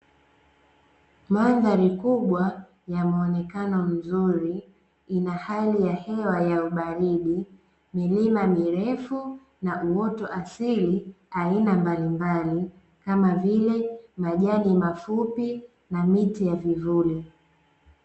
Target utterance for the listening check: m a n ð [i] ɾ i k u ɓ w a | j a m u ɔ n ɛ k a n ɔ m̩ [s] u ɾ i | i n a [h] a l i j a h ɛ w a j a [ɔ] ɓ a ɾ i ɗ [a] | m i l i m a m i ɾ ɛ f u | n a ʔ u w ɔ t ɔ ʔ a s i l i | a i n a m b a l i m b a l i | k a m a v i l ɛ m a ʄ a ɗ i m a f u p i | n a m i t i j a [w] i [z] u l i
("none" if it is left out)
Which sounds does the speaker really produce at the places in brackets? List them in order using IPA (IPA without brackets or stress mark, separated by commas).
a, z, h, u, i, v, v